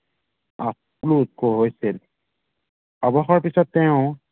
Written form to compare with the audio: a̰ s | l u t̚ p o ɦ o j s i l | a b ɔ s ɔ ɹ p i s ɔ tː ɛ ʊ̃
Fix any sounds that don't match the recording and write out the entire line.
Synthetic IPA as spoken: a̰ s | l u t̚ k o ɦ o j s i l | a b ɔ x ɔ ɹ p i s ɔ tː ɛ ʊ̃